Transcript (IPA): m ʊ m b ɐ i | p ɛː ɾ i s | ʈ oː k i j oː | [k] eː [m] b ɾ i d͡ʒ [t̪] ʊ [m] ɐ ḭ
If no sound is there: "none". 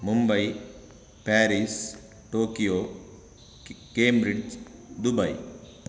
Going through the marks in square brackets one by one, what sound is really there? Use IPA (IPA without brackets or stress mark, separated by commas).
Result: k, m, d̪, b